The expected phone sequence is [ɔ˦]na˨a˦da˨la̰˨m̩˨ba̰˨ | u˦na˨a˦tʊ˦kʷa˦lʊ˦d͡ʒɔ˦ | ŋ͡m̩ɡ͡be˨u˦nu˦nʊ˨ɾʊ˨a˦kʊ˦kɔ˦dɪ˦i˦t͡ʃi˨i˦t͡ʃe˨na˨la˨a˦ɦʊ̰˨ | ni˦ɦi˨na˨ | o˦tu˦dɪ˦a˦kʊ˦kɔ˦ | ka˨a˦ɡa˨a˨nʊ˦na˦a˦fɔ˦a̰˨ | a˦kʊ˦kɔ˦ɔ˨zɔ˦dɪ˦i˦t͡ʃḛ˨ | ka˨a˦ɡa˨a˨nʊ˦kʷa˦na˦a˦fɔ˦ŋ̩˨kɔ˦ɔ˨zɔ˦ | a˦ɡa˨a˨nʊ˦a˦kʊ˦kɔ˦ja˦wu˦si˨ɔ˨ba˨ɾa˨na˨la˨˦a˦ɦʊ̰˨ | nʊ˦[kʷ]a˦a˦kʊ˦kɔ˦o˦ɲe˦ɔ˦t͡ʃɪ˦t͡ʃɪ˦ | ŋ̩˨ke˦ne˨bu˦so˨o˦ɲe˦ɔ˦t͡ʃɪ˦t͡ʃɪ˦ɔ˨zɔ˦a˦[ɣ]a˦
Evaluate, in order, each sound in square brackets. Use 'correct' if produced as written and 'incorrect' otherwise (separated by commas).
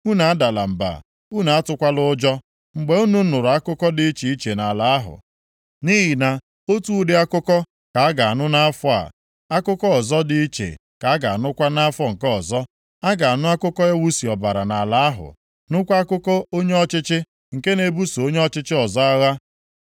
incorrect, correct, correct